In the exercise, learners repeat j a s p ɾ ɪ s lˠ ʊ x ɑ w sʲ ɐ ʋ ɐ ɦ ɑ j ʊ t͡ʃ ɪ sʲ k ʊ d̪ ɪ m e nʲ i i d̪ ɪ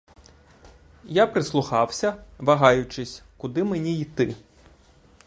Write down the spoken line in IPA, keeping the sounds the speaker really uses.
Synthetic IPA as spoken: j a p ɾ ɪ s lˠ ʊ x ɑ w sʲ ɐ ʋ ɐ ɦ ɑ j ʊ t͡ʃ ɪ sʲ k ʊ d̪ ɪ m e nʲ i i t̪ ɪ